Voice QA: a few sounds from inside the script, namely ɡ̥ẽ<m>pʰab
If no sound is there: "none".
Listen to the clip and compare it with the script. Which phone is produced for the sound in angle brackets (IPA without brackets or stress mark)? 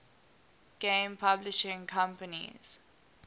m